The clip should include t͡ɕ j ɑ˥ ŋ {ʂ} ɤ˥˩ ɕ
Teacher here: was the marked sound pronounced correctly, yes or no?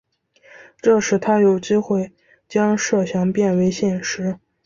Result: yes